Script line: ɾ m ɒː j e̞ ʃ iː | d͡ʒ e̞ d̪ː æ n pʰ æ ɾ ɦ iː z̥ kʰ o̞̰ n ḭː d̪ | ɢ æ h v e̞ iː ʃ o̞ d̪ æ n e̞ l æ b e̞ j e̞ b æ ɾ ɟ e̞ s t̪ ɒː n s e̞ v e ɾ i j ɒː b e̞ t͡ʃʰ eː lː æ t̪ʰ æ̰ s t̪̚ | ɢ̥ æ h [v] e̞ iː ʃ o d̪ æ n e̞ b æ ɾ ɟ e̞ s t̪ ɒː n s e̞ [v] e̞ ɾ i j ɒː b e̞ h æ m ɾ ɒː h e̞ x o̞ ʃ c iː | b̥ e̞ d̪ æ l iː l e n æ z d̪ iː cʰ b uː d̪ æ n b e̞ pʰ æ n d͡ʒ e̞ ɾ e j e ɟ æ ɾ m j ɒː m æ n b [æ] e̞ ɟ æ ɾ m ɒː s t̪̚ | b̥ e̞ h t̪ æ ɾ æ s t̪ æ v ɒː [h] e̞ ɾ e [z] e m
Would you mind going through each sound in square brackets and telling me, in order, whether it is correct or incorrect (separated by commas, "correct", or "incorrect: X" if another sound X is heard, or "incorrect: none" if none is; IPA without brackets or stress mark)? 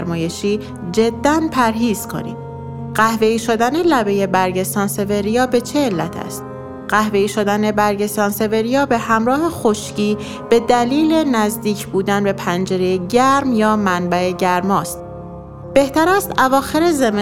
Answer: correct, correct, correct, incorrect: x, correct